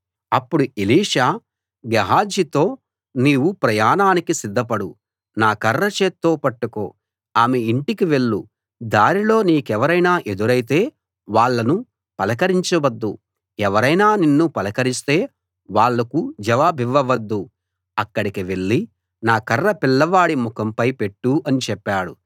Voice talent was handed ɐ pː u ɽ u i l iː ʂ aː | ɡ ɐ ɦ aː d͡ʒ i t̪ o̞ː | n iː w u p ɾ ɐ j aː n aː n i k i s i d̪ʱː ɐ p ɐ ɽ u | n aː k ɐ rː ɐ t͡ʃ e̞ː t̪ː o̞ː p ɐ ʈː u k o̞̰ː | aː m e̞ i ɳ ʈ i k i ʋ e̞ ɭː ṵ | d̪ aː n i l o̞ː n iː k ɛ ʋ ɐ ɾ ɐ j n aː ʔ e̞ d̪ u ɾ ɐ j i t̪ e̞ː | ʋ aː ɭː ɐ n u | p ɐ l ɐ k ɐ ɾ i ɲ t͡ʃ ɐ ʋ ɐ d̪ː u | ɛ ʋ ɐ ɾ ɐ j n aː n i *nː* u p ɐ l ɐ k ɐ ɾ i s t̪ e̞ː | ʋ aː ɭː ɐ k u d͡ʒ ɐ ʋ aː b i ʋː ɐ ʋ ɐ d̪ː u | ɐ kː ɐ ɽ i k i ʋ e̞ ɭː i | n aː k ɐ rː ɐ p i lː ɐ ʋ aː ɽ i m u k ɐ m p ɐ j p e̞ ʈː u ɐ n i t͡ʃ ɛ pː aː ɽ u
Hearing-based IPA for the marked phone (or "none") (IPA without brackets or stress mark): nː